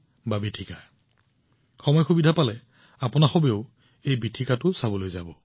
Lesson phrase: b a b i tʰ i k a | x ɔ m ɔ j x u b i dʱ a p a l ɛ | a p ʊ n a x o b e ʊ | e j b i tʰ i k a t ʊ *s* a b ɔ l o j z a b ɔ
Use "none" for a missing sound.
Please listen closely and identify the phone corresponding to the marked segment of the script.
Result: s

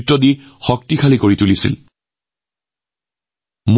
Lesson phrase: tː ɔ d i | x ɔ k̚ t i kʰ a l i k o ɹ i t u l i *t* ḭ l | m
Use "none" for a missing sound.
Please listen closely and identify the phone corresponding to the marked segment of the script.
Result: s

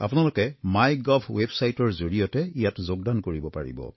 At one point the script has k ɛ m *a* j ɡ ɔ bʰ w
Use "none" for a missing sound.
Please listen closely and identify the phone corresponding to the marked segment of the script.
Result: a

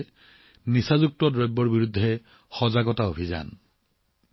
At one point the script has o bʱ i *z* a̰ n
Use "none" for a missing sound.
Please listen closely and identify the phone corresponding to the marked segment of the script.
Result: z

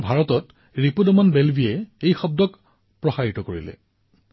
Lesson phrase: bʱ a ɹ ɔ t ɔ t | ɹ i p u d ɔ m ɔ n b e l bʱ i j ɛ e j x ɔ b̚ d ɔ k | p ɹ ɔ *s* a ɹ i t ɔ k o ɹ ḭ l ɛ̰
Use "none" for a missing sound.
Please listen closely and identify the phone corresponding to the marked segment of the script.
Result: x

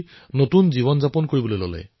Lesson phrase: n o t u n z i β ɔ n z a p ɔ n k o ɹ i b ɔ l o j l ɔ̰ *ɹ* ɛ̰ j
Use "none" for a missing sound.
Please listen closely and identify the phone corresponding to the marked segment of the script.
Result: l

